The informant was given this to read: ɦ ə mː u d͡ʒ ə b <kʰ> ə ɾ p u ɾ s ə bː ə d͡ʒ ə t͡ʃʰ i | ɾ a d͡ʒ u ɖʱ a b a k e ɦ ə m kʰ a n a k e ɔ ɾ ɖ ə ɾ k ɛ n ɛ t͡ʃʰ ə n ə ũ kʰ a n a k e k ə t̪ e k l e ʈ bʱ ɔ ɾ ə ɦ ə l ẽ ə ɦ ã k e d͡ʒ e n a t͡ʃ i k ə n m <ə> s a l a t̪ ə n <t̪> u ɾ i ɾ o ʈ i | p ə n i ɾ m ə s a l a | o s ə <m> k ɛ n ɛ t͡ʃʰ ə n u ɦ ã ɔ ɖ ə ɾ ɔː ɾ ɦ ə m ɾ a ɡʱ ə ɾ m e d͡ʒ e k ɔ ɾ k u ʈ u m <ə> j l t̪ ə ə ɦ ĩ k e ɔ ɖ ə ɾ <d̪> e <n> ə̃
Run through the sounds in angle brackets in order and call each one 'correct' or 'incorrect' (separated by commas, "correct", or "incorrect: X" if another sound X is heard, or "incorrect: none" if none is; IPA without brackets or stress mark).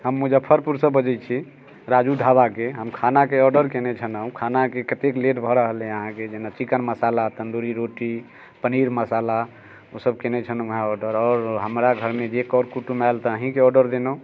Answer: incorrect: pʰ, correct, incorrect: d̪, incorrect: b, incorrect: a, correct, correct